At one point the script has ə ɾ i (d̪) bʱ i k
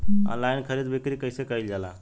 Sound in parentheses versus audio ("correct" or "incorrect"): correct